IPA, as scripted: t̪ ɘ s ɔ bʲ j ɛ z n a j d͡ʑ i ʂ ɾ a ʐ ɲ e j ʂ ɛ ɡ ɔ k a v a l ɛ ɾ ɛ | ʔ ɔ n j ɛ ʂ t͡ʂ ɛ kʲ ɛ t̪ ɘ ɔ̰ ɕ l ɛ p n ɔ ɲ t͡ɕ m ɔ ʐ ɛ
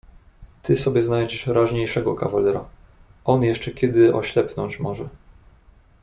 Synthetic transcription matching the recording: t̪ ɘ s ɔ bʲ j ɛ z n a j d͡ʑ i ʂ ɾ a ʐ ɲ e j ʂ ɛ ɡ ɔ k a v a l ɛ ɾ a | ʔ ɔ n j ɛ ʂ t͡ʂ ɛ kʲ ɛ d̪ ɘ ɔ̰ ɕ l ɛ p n ɔ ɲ t͡ɕ m ɔ ʐ ɛ

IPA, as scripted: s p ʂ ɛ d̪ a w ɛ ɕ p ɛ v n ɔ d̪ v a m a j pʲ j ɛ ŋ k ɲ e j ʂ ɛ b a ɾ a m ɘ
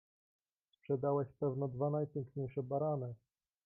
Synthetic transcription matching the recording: s p ʂ ɛ d̪ a w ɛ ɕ p ɛ v n ɔ d̪ v a n a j pʲ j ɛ ŋ k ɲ e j ʂ ɛ b a ɾ a n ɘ

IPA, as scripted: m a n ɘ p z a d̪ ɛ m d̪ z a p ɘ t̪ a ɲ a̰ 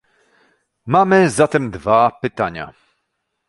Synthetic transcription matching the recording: m a m ɘ z a t̪ ɛ m d̪ v a p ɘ t̪ a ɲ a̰

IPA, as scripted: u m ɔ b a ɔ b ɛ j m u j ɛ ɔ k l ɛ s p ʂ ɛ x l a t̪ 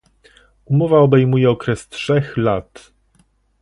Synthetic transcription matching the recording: u m ɔ v a ɔ b ɛ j m u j ɛ ɔ k ɾ ɛ s t ʂ ɛ x l a t̪

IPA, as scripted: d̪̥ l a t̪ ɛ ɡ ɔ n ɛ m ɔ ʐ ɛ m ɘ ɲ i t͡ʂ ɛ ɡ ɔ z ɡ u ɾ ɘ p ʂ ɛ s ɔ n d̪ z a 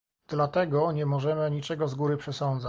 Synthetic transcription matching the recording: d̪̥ l a t̪ ɛ ɡ ɔ ɲ ɛ m ɔ ʐ ɛ m ɘ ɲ i t͡ʂ ɛ ɡ ɔ z ɡ u ɾ ɘ p ʂ ɛ s ɔ n d̪ z a

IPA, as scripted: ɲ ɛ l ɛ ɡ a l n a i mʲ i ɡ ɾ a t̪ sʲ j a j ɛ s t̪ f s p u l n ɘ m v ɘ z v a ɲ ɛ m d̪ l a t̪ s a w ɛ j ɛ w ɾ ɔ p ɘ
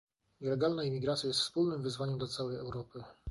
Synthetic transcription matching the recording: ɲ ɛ l ɛ ɡ a l n a i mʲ i ɡ ɾ a t̪ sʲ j a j ɛ s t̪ f s p u l n ɘ m v ɘ z v a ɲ ɛ m d̪ l a t̪ s a w ɛ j ɛ w ɾ ɔ p ɘ

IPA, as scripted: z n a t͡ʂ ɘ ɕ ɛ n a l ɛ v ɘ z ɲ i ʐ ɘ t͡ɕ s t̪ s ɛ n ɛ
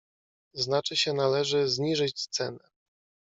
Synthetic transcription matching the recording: z n a t͡ʂ ɘ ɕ ɛ n a l ɛ ʐ ɘ z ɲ i ʐ ɘ t͡ɕ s t̪ s ɛ n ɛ

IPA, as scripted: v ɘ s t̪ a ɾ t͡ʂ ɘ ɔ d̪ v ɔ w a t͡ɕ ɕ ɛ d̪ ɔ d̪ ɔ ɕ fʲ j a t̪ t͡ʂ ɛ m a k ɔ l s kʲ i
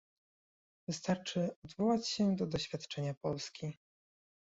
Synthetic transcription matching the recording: v ɘ s t̪ a ɾ t͡ʂ ɘ ɔ d̪ v ɔ w a t͡ɕ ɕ ɛ d̪ ɔ d̪ ɔ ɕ fʲ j a t̪ t͡ʂ ɛ ɲ a p ɔ l s kʲ i

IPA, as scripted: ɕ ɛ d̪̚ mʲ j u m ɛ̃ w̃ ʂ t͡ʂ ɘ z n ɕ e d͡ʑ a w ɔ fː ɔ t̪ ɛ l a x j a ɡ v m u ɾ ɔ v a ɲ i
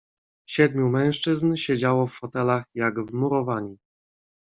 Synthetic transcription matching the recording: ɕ ɛ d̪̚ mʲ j u m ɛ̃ w̃ ʂ t͡ʂ ɘ z n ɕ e d͡ʑ a w ɔ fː ɔ t̪ ɛ l a x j a ɡ v m u ɾ ɔ v a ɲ i

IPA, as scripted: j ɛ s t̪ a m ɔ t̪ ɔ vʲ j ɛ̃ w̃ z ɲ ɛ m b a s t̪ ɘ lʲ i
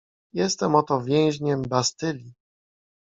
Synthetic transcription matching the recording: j ɛ s t̪ ɛ m ɔ t̪ ɔ vʲ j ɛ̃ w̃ ʑ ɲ ɛ m b a s t̪ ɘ lʲ i

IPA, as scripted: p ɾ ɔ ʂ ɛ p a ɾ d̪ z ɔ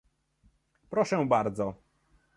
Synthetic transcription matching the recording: p ɾ ɔ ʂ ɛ b a ɾ d̪ z ɔ

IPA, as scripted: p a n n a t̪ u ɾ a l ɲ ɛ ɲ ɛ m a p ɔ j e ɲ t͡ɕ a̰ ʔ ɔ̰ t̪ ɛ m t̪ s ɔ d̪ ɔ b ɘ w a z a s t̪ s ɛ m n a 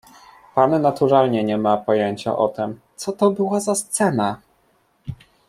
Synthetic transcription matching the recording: p a n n a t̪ u ɾ a l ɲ ɛ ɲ ɛ m a p ɔ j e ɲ t͡ɕ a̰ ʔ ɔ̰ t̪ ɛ m t̪ s ɔ t̪ ɔ b ɘ w a z a s t̪ s ɛ n a

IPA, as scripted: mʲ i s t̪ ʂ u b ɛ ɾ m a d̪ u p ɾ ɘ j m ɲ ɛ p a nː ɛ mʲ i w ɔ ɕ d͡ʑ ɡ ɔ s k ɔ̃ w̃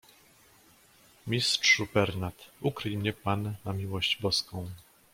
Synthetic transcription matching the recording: mʲ i s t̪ ʂ u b ɛ ɾ n a t̪ u k ɾ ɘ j m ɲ ɛ p a nː a mʲ i w ɔ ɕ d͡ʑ b ɔ s k ɔ̃ w̃

